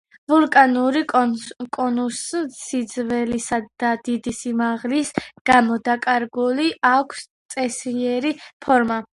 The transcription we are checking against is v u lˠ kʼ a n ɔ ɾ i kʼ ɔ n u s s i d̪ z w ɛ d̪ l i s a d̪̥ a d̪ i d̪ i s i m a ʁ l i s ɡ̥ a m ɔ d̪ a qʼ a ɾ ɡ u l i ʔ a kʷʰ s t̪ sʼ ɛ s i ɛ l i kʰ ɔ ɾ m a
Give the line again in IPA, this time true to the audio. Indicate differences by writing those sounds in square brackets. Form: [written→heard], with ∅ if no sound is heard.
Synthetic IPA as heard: v u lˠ kʼ a n [ɔ→u] ɾ i kʼ ɔ n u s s i d̪ z [w→v] ɛ [d̪→∅] l i s a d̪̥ a d̪ i d̪ i s i m a ʁ l i s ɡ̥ a m ɔ d̪ a [qʼ→kʼ] a ɾ ɡ u l i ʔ a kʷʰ s t̪ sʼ ɛ s i ɛ [l→ɾ] i [kʰ→pʰ] ɔ ɾ m a

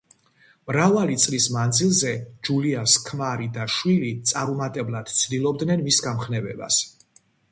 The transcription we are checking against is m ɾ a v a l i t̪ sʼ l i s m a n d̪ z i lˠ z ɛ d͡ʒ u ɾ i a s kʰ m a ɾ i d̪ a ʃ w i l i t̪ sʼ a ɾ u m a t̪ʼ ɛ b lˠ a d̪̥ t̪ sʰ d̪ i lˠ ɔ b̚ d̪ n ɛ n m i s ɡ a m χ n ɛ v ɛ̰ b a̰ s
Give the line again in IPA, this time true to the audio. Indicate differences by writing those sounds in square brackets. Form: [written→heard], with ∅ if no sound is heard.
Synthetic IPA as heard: m ɾ a v a l i t̪ sʼ l i s m a n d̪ z i lˠ z ɛ d͡ʒ u [ɾ→l] i a s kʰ m a ɾ i d̪ a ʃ w i l i t̪ sʼ a ɾ u m a t̪ʼ ɛ b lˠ a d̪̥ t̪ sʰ d̪ i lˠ ɔ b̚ d̪ n ɛ n m i s ɡ a m χ n ɛ v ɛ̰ b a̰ s

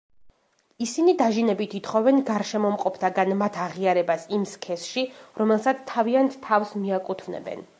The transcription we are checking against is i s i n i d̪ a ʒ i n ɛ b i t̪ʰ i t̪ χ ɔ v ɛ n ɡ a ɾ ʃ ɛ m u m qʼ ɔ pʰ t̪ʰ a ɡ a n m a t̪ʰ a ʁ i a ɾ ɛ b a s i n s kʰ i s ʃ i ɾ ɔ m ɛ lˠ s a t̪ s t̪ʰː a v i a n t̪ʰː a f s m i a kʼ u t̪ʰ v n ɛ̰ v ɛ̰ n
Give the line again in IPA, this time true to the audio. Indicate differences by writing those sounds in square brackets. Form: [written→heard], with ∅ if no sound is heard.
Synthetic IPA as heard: i s i n i d̪ a ʒ i n ɛ b i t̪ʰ i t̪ χ ɔ v ɛ n ɡ a ɾ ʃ ɛ m [u→ɔ] m qʼ ɔ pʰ t̪ʰ a ɡ a n m a t̪ʰ a ʁ i a ɾ ɛ b a s i [n→m] s kʰ [i→ɛ] s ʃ i ɾ ɔ m ɛ lˠ s a t̪ s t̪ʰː a v i a n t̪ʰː a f s m i a kʼ u t̪ʰ v n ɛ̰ [v→b] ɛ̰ n

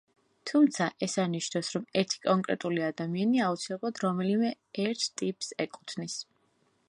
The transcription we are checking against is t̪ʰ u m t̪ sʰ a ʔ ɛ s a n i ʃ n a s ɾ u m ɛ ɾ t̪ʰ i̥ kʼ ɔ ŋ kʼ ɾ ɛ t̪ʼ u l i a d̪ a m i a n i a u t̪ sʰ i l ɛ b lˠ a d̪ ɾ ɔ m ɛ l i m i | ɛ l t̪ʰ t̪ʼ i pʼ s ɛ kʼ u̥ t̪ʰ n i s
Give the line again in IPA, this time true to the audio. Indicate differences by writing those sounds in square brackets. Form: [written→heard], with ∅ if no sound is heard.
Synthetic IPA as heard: t̪ʰ u m t̪ sʰ a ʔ ɛ s a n i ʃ n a s ɾ [u→ɔ] m ɛ ɾ t̪ʰ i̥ kʼ ɔ ŋ kʼ ɾ ɛ t̪ʼ u l i a d̪ a m i a n i a u t̪ sʰ i l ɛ b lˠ a d̪ ɾ ɔ m ɛ l i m [i→ɛ] | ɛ [l→ɾ] t̪ʰ t̪ʼ i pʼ s ɛ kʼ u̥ t̪ʰ n i s

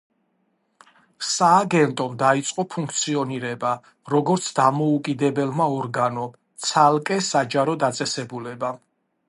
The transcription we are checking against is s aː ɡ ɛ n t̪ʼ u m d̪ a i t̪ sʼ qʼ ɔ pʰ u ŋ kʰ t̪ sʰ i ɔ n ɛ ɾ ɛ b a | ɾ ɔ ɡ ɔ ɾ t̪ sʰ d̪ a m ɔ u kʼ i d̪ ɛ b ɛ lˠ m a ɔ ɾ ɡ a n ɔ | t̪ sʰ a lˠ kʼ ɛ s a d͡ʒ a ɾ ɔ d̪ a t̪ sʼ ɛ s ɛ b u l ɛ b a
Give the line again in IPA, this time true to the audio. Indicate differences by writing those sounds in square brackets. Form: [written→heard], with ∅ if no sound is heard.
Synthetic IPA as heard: s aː ɡ ɛ n t̪ʼ [u→ɔ] m d̪ a i t̪ sʼ qʼ ɔ pʰ u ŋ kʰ t̪ sʰ i ɔ n [ɛ→i] ɾ ɛ b a | ɾ ɔ ɡ ɔ ɾ t̪ sʰ d̪ a m ɔ u kʼ i d̪ ɛ b ɛ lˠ m a ɔ ɾ ɡ a n ɔ | t̪ sʰ a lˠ kʼ ɛ s a d͡ʒ a ɾ ɔ d̪ a t̪ sʼ ɛ s ɛ b u l ɛ b a

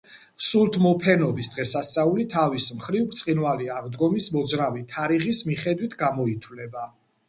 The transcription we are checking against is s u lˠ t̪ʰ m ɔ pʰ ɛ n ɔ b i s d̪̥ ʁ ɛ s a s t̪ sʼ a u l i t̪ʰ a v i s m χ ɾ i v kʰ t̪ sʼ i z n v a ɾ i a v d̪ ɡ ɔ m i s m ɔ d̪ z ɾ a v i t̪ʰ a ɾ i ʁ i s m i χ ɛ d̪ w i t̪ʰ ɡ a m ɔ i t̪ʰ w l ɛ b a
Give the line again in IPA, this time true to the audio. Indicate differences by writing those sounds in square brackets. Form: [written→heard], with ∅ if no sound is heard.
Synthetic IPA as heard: s u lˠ t̪ʰ m ɔ pʰ ɛ n ɔ b i s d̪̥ ʁ ɛ s a s t̪ sʼ a u l i t̪ʰ a v i s m χ ɾ i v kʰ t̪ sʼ i [z→∅] n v a [ɾ→l] i a [v→ʁ] d̪ ɡ ɔ m i s m ɔ d̪ z ɾ a v i t̪ʰ a ɾ i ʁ i s m i χ ɛ d̪ w i t̪ʰ ɡ a m ɔ i t̪ʰ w l ɛ b a

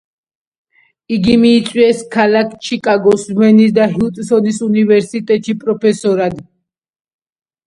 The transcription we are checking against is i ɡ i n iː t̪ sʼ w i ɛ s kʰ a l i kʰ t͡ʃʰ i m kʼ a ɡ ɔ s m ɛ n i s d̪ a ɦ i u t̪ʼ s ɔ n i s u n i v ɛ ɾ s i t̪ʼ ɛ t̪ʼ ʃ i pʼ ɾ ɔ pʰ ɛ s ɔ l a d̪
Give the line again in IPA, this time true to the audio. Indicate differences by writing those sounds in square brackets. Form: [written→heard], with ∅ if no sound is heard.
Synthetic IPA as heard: i ɡ i [n→m] iː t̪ sʼ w i ɛ s kʰ a l [i→a] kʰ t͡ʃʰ i [m→∅] kʼ a ɡ ɔ s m ɛ n i s d̪ a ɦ i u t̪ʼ s ɔ n i s u n i v ɛ ɾ s i t̪ʼ ɛ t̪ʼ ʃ i pʼ ɾ ɔ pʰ ɛ s ɔ [l→ɾ] a d̪

